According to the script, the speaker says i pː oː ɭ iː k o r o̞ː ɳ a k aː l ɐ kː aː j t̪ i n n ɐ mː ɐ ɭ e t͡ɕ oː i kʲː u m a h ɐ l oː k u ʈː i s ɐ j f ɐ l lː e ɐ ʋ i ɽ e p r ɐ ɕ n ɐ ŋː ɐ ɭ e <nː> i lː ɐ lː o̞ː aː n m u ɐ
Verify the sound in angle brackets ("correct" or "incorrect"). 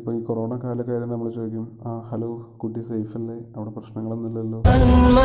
correct